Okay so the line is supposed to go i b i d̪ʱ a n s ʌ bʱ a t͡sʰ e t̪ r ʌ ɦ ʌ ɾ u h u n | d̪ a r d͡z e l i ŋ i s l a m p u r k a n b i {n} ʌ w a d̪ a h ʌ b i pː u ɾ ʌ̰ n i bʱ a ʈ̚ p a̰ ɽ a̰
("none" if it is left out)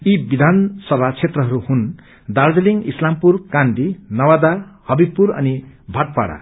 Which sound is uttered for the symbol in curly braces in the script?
n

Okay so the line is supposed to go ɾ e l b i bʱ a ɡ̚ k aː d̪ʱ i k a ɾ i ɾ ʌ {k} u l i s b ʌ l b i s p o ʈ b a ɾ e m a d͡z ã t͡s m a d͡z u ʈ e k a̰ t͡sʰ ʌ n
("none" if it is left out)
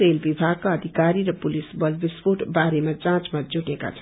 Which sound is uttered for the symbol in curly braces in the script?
p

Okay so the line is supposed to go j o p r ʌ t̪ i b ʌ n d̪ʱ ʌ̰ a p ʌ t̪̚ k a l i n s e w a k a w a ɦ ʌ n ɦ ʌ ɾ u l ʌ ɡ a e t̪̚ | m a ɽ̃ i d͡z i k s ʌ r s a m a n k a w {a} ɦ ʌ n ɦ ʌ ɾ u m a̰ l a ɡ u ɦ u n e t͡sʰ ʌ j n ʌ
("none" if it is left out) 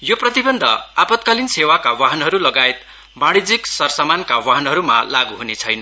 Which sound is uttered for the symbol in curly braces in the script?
a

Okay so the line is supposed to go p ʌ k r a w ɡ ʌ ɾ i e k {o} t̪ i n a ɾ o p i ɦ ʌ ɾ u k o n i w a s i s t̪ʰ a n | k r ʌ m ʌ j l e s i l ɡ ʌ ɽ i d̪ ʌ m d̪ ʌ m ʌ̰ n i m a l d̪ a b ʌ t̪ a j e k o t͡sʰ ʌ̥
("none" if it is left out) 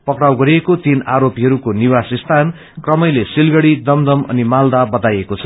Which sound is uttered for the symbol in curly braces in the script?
o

